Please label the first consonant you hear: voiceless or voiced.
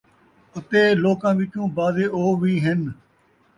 voiceless